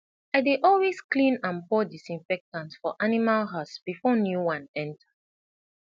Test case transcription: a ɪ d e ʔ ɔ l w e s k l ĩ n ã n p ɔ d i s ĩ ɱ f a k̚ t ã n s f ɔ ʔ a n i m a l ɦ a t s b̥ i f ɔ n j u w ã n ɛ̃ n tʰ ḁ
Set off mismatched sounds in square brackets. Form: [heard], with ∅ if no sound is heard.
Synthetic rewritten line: a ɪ d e ʔ ɔ l w e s k l ĩ n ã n p ɔ d i s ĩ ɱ f [ɛ] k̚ t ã n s f ɔ ʔ a n i m a l ɦ a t s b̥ i f ɔ n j u w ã n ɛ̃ n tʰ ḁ